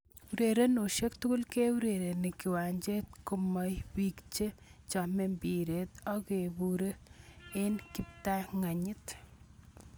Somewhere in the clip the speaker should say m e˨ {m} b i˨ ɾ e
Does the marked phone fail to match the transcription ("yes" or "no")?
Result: no